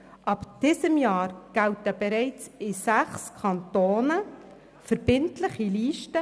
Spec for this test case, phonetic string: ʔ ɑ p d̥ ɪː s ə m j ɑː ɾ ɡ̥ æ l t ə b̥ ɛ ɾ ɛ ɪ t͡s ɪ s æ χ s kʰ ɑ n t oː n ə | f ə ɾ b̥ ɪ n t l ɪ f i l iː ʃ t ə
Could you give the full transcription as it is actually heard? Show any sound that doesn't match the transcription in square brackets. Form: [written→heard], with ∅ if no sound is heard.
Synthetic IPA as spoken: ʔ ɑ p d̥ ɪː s ə m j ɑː ɾ ɡ̥ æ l t ə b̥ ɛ ɾ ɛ ɪ t͡s ɪ s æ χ s kʰ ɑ n t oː n ə | f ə ɾ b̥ ɪ n t l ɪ [f→χ] i l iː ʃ t ə